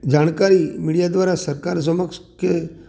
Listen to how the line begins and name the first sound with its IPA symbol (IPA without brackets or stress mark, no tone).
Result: d͡ʒ